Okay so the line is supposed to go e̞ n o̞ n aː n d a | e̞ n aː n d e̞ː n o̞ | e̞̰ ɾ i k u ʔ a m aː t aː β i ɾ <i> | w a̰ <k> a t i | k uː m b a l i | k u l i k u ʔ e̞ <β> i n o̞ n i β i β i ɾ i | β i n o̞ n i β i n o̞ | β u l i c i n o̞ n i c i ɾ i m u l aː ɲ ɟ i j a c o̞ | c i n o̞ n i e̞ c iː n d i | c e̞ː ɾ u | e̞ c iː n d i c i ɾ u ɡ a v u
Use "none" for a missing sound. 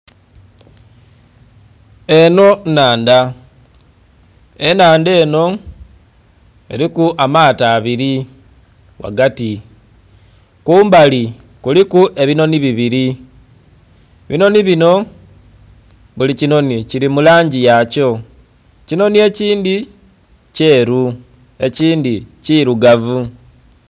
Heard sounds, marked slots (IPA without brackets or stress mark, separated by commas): i, ɡ, β